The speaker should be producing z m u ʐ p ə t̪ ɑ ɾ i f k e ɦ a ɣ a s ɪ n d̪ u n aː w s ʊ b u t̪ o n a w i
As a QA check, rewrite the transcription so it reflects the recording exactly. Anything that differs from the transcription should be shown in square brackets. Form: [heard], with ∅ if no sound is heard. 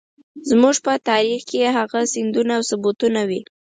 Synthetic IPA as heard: z m u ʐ p ə t̪ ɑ ɾ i [x] k e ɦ a ɣ a s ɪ n d̪ u n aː w s ʊ b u t̪ [u] n a w i